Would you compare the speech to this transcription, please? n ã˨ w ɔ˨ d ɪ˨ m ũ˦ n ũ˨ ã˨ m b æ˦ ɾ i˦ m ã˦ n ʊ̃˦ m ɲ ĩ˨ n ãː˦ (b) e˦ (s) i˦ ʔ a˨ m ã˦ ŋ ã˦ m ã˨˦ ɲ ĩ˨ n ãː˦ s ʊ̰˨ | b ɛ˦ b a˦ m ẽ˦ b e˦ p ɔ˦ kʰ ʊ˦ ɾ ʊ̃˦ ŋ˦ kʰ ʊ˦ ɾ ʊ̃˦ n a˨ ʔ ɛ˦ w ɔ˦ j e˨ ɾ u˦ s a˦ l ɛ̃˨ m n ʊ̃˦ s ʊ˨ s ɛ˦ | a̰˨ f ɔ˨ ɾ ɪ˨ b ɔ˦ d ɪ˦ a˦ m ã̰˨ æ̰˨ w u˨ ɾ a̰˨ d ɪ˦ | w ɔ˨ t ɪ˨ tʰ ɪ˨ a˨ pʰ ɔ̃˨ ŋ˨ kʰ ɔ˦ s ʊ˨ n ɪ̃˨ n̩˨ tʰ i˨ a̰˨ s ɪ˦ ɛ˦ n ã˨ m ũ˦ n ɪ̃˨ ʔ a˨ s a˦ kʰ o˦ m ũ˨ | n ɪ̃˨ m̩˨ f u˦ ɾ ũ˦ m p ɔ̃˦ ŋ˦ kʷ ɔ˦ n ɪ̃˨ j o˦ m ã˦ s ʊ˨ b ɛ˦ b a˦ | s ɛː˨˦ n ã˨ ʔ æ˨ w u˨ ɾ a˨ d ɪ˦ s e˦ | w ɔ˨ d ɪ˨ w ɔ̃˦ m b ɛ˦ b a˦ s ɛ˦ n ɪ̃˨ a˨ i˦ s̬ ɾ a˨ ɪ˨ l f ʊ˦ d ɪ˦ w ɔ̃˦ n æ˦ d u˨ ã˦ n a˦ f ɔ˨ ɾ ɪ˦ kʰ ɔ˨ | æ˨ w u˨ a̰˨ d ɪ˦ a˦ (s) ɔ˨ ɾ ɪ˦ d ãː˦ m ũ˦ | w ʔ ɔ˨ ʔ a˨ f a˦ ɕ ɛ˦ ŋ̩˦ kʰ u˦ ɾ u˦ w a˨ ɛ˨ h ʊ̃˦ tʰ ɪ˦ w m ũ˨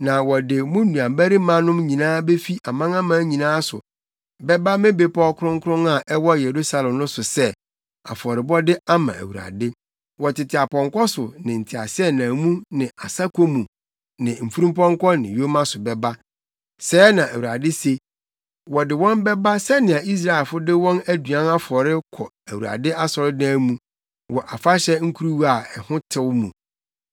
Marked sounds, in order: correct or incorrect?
correct, incorrect, correct

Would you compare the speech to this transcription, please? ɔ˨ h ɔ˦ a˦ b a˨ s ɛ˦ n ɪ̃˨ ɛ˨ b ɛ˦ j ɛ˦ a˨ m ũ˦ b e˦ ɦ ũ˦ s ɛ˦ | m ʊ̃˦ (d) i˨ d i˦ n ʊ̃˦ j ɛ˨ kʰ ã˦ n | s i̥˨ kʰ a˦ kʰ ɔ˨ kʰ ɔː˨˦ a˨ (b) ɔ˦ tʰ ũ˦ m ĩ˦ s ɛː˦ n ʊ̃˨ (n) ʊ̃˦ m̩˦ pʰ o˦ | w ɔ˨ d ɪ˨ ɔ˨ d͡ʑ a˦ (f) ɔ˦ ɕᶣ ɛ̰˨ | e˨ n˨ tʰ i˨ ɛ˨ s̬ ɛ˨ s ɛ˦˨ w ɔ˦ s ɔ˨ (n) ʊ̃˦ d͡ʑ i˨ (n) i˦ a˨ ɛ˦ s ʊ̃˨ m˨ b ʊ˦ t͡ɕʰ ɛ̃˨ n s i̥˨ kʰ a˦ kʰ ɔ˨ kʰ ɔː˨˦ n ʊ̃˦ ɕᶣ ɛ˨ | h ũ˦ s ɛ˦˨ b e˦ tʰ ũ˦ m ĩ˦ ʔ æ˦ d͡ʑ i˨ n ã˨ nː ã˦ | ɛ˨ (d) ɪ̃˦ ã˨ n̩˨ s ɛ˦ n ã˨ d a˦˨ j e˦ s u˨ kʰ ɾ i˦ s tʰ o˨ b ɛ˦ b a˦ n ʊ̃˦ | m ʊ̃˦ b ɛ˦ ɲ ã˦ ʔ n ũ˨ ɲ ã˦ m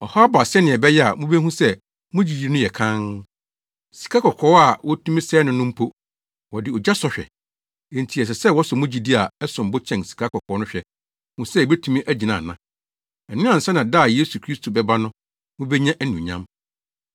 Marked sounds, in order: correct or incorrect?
incorrect, incorrect, correct, incorrect, incorrect, incorrect, incorrect

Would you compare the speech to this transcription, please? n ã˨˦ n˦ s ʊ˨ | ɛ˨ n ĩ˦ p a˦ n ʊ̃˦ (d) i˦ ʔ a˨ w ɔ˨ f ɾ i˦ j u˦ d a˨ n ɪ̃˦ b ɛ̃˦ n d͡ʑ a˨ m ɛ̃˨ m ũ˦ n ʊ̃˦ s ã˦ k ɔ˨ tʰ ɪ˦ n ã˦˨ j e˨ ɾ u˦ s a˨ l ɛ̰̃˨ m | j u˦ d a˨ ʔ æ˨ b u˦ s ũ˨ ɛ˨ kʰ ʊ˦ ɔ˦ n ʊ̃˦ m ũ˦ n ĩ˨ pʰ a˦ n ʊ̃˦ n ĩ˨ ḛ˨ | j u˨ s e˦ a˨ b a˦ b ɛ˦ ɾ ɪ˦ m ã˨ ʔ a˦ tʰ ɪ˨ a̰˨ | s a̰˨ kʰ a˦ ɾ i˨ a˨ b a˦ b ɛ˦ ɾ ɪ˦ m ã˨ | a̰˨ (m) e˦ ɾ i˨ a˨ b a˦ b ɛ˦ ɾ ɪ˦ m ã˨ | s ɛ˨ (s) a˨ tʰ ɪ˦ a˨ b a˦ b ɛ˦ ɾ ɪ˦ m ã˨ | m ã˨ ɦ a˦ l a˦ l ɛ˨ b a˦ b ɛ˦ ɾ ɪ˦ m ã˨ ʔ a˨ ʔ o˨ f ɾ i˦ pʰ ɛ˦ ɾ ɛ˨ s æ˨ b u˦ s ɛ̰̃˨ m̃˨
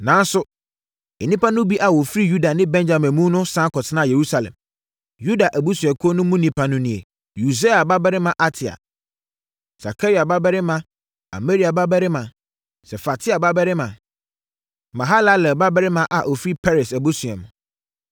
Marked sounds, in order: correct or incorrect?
incorrect, correct, incorrect

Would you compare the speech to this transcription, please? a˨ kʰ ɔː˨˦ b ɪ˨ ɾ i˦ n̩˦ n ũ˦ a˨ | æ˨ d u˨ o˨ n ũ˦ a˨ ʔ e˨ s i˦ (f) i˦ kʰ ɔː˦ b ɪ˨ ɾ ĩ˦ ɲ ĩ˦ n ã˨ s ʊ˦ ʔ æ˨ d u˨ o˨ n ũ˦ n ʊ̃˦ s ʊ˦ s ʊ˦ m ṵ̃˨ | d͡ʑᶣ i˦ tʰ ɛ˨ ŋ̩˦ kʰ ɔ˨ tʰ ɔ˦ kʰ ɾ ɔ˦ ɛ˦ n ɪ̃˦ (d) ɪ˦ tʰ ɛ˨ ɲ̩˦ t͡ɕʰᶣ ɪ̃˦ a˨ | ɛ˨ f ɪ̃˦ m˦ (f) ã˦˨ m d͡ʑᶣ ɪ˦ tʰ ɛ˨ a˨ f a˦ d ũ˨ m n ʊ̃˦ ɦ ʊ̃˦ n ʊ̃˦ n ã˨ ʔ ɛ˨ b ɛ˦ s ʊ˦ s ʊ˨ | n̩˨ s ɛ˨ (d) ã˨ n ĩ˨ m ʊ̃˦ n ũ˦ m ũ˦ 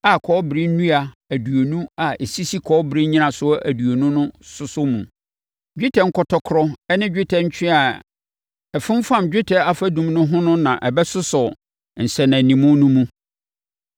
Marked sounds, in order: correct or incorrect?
incorrect, incorrect, correct, incorrect

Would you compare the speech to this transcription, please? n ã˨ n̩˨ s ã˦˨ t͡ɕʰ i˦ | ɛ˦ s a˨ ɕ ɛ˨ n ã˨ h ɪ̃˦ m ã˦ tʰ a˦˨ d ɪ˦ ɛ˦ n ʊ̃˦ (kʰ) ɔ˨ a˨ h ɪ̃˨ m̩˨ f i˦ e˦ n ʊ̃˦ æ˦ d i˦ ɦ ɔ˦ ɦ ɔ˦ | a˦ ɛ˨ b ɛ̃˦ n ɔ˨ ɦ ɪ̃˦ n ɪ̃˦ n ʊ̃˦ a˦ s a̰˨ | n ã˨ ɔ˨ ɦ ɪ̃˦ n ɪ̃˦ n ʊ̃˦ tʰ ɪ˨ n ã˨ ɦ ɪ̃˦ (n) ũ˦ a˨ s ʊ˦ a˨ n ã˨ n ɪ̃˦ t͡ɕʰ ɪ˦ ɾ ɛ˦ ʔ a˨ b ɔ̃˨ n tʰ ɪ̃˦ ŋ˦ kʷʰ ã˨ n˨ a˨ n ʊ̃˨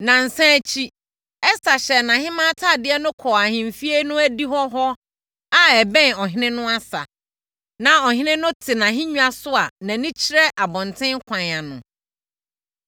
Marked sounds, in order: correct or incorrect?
correct, incorrect

